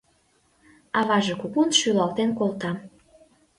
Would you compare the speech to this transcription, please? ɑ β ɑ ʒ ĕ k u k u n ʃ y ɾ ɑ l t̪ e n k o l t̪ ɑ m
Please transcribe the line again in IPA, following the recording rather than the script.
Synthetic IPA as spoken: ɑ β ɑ ʒ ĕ k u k u n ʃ y l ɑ l t̪ e n k o l t̪ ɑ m